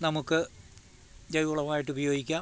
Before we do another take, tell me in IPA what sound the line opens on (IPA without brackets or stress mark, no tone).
n